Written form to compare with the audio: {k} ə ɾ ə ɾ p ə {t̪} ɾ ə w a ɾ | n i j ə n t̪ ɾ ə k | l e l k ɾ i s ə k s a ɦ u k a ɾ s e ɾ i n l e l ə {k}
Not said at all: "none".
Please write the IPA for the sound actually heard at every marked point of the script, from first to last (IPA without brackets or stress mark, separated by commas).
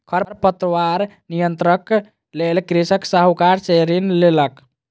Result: kʰ, t̪, k